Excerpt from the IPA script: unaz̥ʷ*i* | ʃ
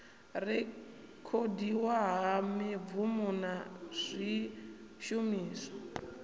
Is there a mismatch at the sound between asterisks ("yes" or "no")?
no